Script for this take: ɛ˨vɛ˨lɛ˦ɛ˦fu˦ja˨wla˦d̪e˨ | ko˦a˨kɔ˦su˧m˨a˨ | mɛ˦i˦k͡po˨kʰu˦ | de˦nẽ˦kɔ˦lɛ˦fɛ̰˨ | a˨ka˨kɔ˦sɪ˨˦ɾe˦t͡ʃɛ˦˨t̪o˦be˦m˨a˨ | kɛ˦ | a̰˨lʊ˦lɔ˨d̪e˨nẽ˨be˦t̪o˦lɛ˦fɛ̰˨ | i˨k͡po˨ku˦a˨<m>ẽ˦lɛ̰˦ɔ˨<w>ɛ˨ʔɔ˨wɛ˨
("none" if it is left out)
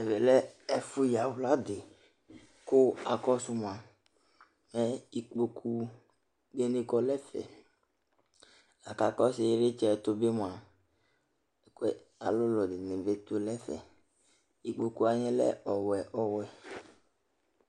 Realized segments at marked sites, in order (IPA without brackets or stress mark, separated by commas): ɲ, w